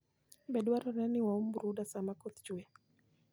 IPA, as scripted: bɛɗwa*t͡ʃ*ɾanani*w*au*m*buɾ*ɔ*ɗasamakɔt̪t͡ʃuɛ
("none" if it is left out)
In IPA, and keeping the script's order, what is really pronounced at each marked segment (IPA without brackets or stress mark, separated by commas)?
none, w, m, u